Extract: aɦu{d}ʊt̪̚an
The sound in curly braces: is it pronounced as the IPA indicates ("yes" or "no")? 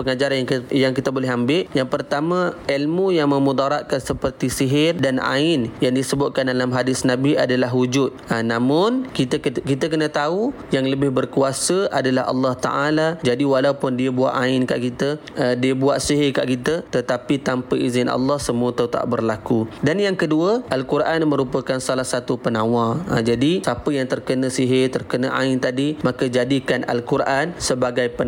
no